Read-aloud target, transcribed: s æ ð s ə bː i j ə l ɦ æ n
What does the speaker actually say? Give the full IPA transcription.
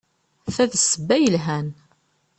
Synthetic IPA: θ æ ð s ə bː æ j ə l ɦ æ n